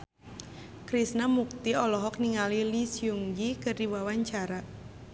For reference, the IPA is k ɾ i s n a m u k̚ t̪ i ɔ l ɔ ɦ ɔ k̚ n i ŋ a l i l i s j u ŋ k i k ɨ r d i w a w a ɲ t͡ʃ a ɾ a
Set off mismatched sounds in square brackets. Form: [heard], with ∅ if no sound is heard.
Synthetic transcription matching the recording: k ɾ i s n a m u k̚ t̪ i ɔ l ɔ ɦ ɔ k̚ n i ŋ a l i l i s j u ŋ [ɡ] i k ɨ r d i w a w a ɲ t͡ʃ a ɾ a

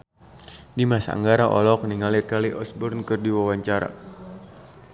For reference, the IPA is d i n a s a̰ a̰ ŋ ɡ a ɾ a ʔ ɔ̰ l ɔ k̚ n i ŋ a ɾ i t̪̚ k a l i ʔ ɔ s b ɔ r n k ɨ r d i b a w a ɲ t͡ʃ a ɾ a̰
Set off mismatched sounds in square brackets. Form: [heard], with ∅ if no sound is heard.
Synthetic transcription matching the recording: d i [m] a s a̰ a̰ ŋ ɡ a ɾ a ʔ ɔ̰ l ɔ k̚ n i ŋ a [l] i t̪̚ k a l i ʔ ɔ s b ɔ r n k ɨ r d i [w] a w a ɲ t͡ʃ a ɾ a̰

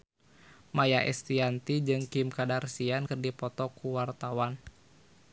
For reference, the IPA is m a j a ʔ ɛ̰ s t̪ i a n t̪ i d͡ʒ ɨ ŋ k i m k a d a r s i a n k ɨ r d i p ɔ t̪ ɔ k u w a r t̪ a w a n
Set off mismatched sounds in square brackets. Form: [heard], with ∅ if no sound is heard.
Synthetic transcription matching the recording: m a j a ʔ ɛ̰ s t̪ i a n t̪ i d͡ʒ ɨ ŋ k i m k a d a r s i a n k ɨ r d i p ɔ t̪ ɔ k u w a r t̪ a w a n

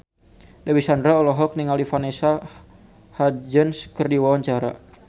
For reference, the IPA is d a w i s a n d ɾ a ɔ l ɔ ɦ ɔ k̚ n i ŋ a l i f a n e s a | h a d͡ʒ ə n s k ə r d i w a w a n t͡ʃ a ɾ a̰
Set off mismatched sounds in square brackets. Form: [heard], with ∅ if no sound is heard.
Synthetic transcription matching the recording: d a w i s a n d ɾ a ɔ l ɔ ɦ ɔ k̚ n i ŋ a l i f a n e s a | h a d͡ʒ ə n s k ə r d i w a w a [ɲ] t͡ʃ a ɾ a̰

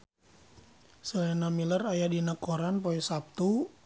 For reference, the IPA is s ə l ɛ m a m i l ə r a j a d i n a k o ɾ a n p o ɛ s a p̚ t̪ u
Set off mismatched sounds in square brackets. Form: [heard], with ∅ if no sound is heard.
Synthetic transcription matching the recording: s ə l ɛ [n] a m i l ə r a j a d i n a k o ɾ a n p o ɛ s a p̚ t̪ u

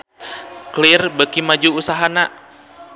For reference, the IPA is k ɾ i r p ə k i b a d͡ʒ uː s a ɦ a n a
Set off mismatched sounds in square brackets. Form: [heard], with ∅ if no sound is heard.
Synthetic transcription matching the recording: k [l] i r [b] ə k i [m] a d͡ʒ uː s a ɦ a n a

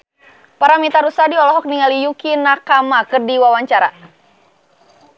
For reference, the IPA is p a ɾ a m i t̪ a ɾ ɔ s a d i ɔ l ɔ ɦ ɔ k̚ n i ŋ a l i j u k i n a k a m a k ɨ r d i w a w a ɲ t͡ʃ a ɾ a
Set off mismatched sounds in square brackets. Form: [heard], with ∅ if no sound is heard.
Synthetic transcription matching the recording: p a ɾ a m i t̪ a ɾ [u] s a d i ɔ l ɔ ɦ ɔ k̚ n i ŋ a l i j u k i n a k a m a k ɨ r d i w a w a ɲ t͡ʃ a ɾ a

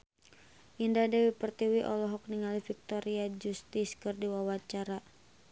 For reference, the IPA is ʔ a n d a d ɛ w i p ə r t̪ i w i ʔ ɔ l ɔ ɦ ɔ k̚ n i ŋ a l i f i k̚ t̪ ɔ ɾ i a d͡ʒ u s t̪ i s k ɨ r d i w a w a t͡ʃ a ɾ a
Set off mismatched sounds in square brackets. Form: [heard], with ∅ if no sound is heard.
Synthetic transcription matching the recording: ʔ [i] n d a d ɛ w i p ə r t̪ i w i ʔ ɔ l ɔ ɦ ɔ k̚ n i ŋ a l i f i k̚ t̪ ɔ ɾ i a d͡ʒ u s t̪ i s k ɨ r d i w a w a t͡ʃ a ɾ a

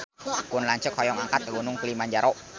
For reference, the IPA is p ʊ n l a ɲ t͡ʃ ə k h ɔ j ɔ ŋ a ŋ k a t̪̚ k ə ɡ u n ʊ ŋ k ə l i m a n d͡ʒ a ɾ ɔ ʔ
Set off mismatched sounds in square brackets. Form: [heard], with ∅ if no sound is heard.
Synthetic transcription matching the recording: [k] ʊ n l a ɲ t͡ʃ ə k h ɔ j ɔ ŋ a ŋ k a t̪̚ k ə ɡ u n ʊ ŋ k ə l i m a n d͡ʒ a ɾ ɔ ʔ

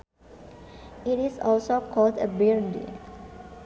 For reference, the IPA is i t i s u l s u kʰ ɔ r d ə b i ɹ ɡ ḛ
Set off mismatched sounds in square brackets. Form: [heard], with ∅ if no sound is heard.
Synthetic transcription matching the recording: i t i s [ɔ] l s [o] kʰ ɔ [l] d ə b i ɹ [d] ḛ

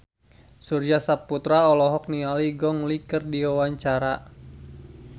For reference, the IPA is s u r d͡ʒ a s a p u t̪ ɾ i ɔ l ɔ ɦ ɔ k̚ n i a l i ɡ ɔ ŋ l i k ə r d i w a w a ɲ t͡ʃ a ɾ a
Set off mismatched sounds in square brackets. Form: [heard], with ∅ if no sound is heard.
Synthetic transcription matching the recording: s u r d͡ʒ a s a p u t̪ ɾ [a] ɔ l ɔ ɦ ɔ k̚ n i a l i ɡ ɔ ŋ l i k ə r d i w a w a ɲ t͡ʃ a ɾ a

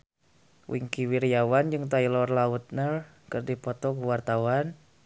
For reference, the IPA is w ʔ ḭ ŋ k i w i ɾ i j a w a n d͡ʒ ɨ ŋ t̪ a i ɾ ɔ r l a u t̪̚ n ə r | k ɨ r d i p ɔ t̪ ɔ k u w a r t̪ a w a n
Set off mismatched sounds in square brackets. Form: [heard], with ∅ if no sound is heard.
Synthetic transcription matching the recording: w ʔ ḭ ŋ k i w i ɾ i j a w a n d͡ʒ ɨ ŋ t̪ a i [l] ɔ r l a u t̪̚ n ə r | k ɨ r d i p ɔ t̪ ɔ k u w a r t̪ a w a n

